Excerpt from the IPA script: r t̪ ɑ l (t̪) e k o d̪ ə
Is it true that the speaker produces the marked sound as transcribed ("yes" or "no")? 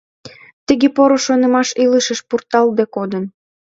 no